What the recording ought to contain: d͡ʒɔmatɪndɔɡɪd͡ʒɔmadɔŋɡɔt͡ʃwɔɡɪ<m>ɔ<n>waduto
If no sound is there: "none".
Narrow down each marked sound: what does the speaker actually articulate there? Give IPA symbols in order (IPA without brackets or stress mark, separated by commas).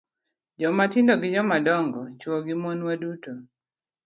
m, n